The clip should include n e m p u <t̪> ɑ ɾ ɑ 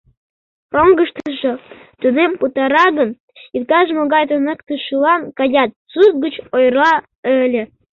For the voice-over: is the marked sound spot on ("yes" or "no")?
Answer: yes